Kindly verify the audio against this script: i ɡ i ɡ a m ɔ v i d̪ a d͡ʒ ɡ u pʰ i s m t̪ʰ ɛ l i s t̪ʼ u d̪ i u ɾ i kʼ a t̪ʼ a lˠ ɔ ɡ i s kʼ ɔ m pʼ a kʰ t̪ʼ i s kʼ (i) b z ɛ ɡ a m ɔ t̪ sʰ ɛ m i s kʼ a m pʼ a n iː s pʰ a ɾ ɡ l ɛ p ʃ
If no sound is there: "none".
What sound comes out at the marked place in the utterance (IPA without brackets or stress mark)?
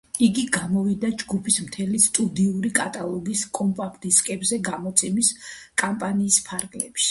ɛ